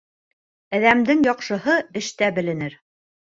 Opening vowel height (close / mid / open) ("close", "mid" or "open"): open